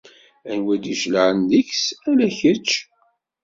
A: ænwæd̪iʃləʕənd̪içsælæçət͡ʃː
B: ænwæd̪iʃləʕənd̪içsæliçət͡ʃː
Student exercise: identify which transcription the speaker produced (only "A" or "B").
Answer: A